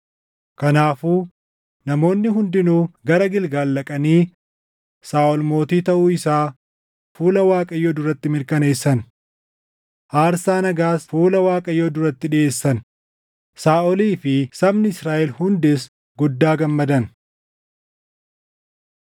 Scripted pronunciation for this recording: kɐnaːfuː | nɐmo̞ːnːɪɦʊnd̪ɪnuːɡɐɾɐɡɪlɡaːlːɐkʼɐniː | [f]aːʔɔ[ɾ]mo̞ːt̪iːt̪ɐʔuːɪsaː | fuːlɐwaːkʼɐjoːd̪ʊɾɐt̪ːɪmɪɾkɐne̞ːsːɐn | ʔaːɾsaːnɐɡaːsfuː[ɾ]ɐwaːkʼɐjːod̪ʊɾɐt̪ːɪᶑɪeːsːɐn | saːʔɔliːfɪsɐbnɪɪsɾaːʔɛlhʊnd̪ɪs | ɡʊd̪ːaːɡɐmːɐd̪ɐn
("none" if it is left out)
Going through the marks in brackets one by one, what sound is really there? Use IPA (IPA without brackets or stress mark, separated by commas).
s, l, l